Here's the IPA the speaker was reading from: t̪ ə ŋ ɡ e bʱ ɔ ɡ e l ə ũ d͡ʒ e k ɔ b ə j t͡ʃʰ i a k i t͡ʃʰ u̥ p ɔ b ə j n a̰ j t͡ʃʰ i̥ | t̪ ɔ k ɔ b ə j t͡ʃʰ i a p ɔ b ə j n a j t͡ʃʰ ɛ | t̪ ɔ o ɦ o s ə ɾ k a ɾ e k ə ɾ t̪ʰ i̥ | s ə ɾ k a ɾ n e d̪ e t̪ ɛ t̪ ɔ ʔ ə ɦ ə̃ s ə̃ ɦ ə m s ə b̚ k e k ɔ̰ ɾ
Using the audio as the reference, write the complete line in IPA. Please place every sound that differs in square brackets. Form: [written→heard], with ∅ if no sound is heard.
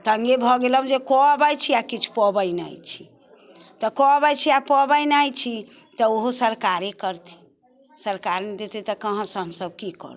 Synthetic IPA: t̪ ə ŋ ɡ e bʱ ɔ ɡ e l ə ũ d͡ʒ e k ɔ b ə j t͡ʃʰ i a k i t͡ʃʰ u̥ p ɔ b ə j n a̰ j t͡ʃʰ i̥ | t̪ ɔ k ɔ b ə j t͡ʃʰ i a p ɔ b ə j n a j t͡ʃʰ [ɛ→i] | t̪ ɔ o ɦ o s ə ɾ k a ɾ e k ə ɾ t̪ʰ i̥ | s ə ɾ k a ɾ n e d̪ e t̪ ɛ t̪ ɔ [ʔ→k] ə ɦ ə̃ s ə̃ ɦ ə m s ə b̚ k [e→i] k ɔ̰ ɾ

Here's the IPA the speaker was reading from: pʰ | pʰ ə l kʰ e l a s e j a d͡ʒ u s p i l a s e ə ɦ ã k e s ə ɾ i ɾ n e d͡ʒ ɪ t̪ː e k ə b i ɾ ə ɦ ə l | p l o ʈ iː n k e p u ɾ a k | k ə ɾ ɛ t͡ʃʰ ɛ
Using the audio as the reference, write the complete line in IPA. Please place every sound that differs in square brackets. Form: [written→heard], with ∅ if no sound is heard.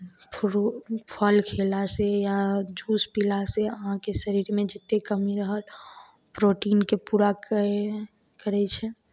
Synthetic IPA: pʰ | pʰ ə l kʰ e l a s e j a d͡ʒ u s p i l a s e ə ɦ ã k e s ə ɾ i ɾ [n→m] e d͡ʒ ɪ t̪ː e k ə [b→m] i ɾ ə ɦ ə l | p [l→ɾ] o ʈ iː n k e p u ɾ a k | k ə ɾ ɛ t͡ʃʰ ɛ

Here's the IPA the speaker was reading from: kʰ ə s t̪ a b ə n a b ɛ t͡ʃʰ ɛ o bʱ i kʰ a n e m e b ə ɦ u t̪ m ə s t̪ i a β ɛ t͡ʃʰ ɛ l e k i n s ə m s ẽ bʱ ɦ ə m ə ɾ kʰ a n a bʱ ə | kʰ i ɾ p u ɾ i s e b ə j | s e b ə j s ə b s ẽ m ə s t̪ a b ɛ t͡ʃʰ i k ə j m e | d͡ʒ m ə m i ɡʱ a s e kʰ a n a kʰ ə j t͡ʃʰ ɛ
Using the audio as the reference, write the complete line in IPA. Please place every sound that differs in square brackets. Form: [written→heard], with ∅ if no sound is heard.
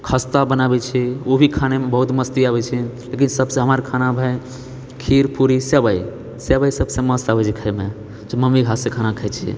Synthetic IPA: kʰ ə s t̪ a b ə n a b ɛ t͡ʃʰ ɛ o bʱ i kʰ a n e m e b ə ɦ u t̪ m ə s t̪ i a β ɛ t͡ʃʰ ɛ l e k i n s ə [m→b] s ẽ [bʱ→∅] ɦ ə m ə ɾ kʰ a n a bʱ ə | kʰ i ɾ p u ɾ i s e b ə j | s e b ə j s ə b s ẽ m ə s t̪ a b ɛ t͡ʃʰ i [k→kʰ] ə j m e | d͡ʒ m ə m i ɡʱ a s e kʰ a n a kʰ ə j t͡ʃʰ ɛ

